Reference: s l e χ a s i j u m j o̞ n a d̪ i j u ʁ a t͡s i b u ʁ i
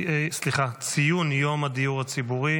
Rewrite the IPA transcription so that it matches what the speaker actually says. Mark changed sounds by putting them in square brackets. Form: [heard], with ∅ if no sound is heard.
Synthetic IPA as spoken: s l [i] χ a [t͡s] i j u [n] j o̞ [m] a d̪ i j u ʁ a t͡s i b u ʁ i